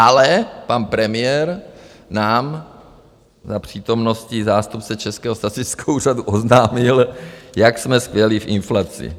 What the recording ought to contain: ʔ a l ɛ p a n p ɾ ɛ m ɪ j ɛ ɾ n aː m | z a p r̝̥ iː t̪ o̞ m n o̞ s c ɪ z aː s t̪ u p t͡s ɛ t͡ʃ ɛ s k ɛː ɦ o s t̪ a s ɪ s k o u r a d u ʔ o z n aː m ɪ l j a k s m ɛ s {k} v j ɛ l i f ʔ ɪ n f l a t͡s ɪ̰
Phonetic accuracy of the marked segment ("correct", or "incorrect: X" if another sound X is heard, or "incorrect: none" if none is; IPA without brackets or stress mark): correct